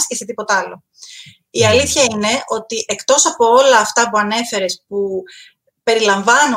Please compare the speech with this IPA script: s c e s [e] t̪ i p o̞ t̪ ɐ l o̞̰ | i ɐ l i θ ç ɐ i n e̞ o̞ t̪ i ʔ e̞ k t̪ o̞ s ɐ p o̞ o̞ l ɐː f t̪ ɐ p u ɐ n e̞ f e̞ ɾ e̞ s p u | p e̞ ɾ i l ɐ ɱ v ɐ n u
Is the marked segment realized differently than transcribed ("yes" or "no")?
no